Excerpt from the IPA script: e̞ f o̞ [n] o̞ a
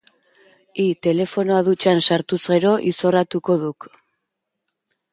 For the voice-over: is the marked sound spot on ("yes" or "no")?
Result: yes